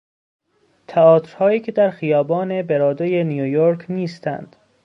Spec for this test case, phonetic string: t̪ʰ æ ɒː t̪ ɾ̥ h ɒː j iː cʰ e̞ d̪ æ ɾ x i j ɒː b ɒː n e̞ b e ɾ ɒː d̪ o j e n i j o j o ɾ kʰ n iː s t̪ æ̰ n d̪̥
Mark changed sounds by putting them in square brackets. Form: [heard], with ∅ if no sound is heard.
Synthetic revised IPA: t̪ʰ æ ɒː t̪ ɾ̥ h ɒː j iː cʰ e̞ d̪ æ ɾ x i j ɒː b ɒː n e̞ b e ɾ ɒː d̪ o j e n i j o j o ɾ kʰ n iː s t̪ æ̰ n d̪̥